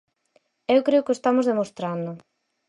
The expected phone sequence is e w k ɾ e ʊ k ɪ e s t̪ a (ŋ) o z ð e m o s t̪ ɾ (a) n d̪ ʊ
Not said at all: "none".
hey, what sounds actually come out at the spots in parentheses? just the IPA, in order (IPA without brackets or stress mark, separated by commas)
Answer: m, a